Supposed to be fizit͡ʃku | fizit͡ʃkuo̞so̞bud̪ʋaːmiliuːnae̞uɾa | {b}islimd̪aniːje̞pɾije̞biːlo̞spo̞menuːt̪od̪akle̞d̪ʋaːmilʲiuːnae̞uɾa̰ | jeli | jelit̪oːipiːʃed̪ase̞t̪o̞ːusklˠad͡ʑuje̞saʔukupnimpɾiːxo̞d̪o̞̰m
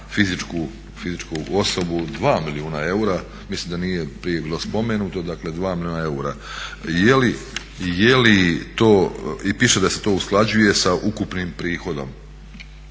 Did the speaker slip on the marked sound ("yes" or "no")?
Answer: yes